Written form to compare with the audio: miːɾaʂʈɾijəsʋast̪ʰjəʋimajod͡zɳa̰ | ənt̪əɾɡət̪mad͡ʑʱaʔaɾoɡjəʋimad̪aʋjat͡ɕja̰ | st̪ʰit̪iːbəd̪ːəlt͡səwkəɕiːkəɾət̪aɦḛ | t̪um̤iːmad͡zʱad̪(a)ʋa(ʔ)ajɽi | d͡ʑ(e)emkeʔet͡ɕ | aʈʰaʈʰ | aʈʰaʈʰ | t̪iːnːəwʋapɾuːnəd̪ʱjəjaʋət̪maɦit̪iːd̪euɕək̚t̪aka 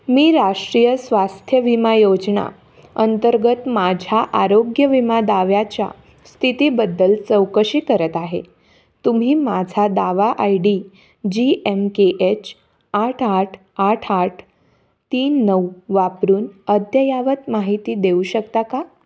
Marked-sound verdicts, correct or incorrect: correct, correct, incorrect

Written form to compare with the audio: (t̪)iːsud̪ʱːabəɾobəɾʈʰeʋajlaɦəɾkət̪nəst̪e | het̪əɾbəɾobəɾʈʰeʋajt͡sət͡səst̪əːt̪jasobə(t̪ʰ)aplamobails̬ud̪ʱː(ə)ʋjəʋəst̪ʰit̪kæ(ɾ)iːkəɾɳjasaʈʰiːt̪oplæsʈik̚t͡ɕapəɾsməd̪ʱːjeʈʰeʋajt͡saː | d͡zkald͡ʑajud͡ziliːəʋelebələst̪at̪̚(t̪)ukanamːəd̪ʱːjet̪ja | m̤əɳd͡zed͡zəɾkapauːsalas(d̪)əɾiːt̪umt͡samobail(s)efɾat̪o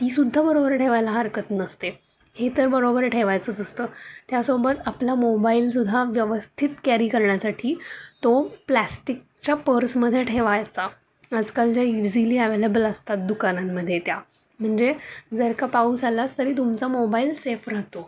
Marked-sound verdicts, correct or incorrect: correct, incorrect, incorrect, correct, incorrect, incorrect, correct

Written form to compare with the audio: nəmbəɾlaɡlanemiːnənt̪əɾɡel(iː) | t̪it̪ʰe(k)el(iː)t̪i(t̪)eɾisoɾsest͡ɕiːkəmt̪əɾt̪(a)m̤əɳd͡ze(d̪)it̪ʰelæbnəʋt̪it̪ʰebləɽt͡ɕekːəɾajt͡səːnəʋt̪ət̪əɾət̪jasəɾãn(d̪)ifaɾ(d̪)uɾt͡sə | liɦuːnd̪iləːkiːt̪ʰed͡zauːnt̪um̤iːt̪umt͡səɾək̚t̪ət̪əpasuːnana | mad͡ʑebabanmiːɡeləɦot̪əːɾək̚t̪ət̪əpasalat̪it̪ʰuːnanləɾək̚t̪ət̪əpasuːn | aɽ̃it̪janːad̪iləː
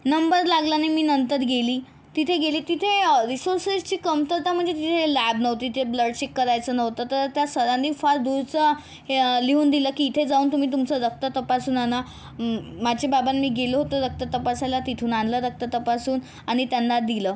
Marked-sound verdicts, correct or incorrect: correct, incorrect, correct, incorrect, correct, incorrect, correct, correct

